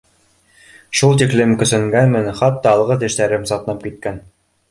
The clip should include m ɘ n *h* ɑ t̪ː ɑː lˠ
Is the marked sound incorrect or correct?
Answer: incorrect: χ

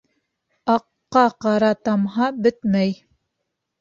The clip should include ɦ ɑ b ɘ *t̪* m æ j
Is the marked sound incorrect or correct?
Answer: correct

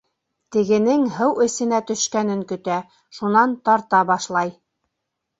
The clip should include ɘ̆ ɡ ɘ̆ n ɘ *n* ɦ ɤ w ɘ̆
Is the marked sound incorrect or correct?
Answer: incorrect: ŋ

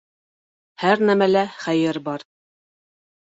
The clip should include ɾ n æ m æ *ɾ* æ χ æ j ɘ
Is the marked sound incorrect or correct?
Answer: incorrect: l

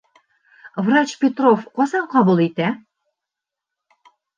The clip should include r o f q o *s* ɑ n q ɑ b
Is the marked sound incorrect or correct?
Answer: correct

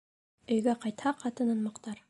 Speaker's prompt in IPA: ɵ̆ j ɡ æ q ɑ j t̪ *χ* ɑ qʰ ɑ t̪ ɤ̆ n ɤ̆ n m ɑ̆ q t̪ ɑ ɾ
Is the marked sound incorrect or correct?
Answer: incorrect: h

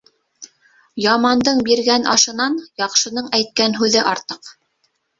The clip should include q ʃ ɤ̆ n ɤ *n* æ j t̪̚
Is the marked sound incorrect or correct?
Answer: incorrect: ɴ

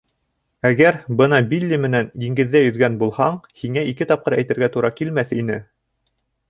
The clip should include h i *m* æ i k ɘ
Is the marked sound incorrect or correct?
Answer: incorrect: ŋ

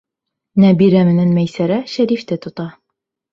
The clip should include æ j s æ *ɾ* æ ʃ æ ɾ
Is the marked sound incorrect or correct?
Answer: correct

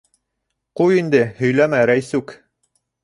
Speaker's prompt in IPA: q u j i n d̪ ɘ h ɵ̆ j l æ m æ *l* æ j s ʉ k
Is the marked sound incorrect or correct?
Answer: incorrect: ɾ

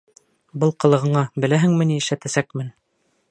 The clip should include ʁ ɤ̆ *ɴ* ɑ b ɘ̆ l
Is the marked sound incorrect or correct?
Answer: correct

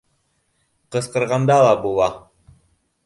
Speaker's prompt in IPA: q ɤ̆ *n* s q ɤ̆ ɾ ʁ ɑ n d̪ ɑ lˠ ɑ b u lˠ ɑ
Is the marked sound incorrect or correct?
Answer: incorrect: none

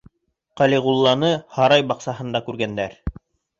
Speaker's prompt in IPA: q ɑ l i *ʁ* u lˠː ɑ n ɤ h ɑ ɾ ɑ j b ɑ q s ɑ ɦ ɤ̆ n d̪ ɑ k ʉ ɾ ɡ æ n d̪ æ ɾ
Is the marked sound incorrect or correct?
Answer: correct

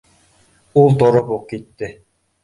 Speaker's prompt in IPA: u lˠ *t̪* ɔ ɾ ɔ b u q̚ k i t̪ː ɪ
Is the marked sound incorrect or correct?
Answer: correct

